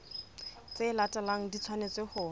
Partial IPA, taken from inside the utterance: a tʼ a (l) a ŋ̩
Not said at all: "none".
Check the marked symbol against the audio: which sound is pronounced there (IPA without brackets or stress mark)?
l